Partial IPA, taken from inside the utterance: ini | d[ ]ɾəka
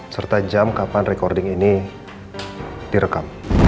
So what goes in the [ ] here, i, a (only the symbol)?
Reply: i